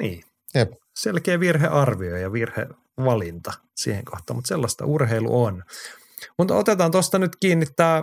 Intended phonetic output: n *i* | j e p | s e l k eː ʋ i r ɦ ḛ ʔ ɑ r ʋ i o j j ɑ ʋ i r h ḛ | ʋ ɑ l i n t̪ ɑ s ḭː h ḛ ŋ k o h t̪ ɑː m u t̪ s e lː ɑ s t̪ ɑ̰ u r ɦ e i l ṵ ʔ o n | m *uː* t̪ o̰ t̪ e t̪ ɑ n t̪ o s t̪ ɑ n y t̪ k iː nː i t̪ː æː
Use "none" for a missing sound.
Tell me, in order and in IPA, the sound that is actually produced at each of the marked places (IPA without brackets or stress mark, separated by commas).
iː, u